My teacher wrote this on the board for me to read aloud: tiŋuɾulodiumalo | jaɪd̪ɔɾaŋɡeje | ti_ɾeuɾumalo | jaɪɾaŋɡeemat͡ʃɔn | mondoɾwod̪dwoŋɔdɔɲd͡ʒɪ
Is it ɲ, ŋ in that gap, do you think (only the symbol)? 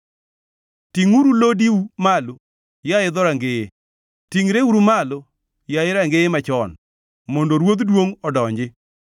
ŋ